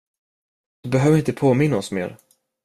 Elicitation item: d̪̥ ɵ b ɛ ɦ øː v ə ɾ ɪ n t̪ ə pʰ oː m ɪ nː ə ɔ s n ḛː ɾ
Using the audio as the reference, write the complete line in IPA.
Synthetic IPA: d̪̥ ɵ b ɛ ɦ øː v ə ɾ ɪ n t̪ ə pʰ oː m ɪ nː a ɔ s m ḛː ɾ